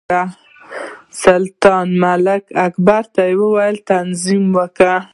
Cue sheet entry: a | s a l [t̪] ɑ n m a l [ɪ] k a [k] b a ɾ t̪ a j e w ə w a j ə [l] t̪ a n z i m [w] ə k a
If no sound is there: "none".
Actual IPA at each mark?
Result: t̪, ɪ, k, l, w

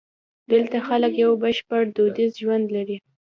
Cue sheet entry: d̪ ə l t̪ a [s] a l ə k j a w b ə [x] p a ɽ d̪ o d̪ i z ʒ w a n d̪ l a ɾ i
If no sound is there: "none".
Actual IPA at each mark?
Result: x, ʃ

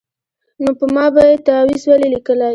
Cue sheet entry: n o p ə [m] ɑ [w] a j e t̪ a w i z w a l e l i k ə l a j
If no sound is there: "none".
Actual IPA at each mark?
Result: m, b

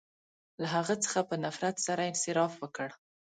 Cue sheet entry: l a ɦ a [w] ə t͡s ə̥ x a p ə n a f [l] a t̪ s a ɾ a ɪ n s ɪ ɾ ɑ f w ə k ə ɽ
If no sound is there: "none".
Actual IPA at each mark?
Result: ɣ, ɾ

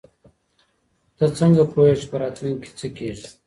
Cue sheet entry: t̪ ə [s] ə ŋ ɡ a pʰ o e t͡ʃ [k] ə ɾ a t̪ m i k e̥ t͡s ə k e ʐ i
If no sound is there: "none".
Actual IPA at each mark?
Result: t͡s, p

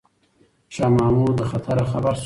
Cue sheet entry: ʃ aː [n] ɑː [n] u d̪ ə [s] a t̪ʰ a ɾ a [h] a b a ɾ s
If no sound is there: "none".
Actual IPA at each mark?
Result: m, m, x, x

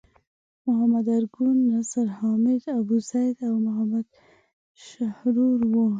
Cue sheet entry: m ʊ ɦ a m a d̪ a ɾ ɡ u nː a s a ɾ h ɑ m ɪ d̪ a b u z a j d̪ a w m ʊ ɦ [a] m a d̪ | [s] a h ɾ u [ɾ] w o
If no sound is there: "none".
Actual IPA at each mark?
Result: a, ʃ, ɾ

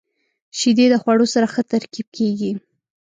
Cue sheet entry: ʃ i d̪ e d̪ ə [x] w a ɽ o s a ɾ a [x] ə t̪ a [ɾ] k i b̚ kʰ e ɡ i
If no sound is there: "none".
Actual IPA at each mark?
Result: x, x, ɾ

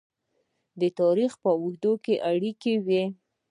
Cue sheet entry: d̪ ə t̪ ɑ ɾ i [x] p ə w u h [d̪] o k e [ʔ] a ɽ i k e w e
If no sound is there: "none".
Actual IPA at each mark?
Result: x, d̪, ʔ

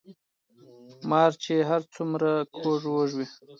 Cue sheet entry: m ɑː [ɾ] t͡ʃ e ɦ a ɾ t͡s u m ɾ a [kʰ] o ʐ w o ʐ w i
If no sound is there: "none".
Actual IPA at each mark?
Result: ɾ, kʰ

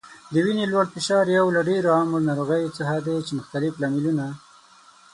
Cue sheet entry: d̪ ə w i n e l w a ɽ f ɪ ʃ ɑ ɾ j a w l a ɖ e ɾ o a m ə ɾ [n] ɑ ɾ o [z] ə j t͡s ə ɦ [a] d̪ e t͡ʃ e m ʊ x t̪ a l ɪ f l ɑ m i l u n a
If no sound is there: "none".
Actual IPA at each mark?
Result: n, ɣ, a

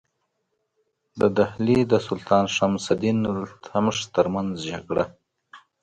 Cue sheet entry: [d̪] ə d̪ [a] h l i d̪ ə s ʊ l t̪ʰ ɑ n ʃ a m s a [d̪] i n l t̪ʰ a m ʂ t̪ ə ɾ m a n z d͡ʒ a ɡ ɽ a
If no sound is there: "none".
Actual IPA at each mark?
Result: d̪, a, d̪

